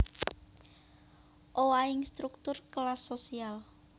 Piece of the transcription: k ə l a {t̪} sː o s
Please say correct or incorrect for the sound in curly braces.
incorrect